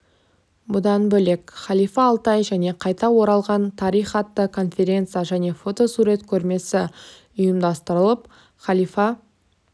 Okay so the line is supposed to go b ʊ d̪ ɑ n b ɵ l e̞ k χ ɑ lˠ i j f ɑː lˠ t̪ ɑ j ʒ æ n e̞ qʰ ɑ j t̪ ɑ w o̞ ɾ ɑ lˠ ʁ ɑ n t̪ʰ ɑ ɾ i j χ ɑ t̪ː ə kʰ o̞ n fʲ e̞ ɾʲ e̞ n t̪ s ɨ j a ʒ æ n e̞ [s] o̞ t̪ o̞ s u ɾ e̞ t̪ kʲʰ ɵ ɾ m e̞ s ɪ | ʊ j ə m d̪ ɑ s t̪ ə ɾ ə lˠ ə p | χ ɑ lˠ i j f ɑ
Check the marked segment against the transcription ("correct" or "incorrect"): incorrect